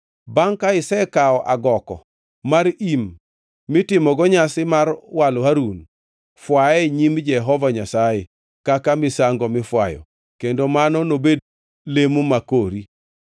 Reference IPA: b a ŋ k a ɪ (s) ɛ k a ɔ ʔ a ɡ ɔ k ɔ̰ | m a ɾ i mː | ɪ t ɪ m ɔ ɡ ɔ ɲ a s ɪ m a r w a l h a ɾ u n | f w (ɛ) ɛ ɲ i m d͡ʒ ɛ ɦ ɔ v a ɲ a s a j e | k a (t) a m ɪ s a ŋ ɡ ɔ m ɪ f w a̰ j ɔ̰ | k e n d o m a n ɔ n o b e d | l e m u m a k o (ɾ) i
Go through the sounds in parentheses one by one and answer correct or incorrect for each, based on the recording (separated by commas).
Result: correct, incorrect, incorrect, correct